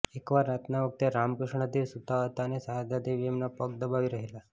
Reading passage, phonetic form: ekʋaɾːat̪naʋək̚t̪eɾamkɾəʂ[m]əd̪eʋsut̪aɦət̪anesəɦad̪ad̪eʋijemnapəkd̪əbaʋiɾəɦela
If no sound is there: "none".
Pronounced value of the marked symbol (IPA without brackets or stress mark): ɳ